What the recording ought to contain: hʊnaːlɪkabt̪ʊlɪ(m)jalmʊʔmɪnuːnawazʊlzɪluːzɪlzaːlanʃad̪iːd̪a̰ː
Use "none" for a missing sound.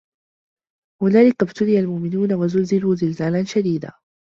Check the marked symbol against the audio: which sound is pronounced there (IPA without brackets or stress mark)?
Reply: none